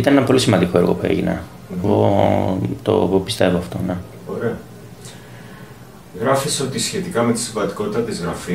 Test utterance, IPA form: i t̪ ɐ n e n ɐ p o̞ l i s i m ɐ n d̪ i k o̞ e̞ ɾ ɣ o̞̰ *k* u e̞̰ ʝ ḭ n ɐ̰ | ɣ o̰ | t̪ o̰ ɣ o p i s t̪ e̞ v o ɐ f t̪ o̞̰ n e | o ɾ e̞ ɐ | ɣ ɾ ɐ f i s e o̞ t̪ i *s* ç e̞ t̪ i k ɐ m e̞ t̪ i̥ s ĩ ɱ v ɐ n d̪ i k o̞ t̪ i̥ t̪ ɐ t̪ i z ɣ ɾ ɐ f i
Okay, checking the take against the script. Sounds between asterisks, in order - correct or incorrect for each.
incorrect, correct

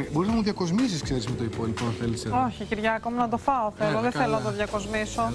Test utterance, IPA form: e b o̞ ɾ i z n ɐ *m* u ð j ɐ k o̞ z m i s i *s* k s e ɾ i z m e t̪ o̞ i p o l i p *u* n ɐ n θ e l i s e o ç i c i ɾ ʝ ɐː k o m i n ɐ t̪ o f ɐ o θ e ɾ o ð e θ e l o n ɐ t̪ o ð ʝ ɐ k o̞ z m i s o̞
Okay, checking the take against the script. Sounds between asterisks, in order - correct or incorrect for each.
correct, correct, incorrect

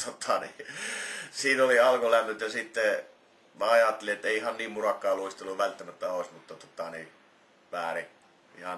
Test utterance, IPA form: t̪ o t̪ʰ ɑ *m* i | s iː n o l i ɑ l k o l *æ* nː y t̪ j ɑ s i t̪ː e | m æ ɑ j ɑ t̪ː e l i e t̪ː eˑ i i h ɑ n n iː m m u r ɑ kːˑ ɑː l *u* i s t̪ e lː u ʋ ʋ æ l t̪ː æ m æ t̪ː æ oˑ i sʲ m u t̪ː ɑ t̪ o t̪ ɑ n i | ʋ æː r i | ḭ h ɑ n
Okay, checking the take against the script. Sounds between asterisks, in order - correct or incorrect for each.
incorrect, correct, correct

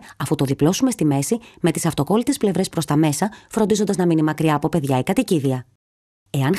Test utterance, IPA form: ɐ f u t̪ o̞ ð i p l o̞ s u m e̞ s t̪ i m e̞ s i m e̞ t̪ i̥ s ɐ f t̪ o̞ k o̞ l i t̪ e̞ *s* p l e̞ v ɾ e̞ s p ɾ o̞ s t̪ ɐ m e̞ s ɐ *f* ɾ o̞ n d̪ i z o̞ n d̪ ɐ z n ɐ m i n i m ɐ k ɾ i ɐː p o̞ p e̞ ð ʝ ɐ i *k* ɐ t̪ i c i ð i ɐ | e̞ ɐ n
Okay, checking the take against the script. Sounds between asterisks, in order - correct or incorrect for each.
correct, correct, correct

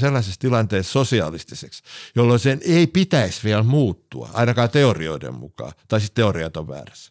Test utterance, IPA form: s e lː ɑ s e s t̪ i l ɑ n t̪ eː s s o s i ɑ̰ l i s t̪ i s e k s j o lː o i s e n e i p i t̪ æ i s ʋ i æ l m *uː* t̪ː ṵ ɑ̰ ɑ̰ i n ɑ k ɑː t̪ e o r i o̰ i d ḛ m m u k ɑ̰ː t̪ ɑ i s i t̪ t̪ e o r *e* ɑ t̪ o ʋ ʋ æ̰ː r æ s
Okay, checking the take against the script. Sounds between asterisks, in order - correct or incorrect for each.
correct, incorrect

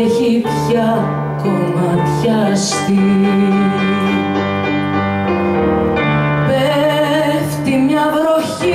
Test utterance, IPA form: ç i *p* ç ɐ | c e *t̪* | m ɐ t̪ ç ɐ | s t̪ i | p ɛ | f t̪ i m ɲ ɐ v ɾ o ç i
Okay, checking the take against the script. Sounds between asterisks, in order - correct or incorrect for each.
correct, incorrect

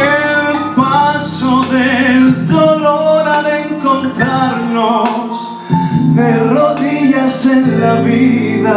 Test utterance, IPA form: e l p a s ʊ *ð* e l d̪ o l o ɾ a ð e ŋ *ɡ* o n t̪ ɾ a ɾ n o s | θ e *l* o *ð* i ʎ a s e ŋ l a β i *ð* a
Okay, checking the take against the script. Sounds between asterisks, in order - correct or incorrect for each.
correct, incorrect, incorrect, correct, correct

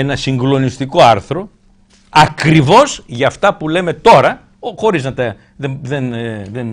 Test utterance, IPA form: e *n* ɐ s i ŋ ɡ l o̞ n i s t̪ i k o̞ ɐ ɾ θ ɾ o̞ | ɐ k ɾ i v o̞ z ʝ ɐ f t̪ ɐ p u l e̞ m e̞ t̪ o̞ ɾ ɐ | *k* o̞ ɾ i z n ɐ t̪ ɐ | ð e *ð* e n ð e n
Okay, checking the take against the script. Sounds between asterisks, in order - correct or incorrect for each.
correct, incorrect, correct

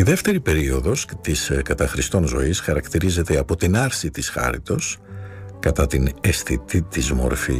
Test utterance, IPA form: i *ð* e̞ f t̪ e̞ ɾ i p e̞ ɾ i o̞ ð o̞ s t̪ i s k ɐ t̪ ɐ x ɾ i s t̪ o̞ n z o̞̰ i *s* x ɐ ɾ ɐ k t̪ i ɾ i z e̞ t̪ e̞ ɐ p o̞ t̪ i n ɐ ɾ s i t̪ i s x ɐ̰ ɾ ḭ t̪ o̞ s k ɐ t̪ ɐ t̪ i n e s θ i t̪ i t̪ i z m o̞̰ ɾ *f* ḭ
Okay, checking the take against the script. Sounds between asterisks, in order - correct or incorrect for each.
correct, correct, correct

